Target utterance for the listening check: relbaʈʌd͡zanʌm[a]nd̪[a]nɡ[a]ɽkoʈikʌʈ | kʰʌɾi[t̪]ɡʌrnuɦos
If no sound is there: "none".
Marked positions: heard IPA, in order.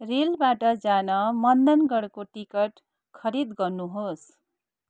ʌ, ʌ, ʌ, d̪

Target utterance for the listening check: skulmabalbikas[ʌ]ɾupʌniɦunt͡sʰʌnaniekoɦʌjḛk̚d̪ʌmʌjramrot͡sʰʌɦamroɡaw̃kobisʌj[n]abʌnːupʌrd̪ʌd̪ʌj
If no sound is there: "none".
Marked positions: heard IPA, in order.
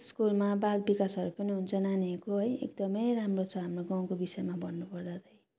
ʌ, m

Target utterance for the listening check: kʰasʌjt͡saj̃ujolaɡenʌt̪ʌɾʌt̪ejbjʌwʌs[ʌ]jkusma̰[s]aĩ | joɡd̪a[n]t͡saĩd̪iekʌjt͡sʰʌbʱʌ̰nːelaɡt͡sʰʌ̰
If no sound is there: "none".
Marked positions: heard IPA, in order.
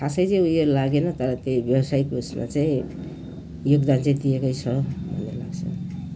a, t͡s, n

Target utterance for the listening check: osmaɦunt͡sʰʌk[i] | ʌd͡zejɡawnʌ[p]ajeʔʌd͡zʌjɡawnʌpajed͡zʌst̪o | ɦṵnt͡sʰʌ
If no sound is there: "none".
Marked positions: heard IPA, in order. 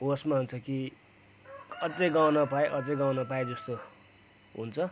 i, p

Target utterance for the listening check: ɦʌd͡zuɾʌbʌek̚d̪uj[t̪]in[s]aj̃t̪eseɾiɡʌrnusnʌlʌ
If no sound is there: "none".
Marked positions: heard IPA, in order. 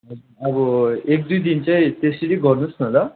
d̪, t͡s

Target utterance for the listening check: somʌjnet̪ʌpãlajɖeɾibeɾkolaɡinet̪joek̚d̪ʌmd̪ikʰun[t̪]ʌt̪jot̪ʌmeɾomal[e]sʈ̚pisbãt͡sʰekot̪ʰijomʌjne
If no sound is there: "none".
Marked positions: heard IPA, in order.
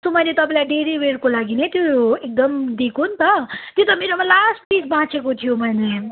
t̪, a

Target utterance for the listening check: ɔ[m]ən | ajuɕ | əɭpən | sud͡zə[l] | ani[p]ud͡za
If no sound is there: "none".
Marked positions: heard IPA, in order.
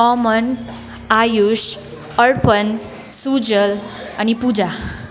m, l, p

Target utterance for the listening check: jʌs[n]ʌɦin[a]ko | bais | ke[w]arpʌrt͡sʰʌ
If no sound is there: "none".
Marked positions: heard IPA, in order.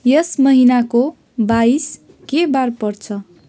m, a, b

